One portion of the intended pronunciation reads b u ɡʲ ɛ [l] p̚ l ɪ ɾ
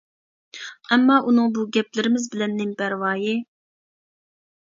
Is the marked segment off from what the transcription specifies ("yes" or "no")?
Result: yes